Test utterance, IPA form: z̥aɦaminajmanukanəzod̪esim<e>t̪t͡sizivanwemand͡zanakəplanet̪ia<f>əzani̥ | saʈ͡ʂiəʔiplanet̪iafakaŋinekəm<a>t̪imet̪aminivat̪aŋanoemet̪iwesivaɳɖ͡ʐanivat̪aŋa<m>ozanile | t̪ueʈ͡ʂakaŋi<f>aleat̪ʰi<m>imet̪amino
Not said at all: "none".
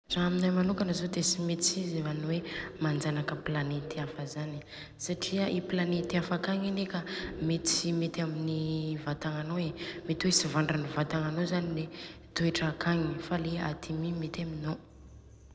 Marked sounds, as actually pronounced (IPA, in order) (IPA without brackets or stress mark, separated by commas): e, f, e, n, f, m